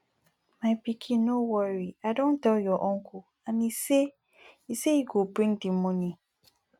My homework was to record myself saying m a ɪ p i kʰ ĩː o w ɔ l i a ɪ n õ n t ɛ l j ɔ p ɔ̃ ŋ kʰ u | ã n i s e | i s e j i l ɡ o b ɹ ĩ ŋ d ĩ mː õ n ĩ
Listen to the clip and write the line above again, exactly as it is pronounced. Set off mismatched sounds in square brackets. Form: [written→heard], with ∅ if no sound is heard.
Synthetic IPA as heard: m a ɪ p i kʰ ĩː o w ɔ [l→ɹ] i a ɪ [n→d] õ n t ɛ l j ɔ [p→ʔ] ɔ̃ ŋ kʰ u | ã n i s e | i s e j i [l→∅] ɡ o b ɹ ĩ ŋ d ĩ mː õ n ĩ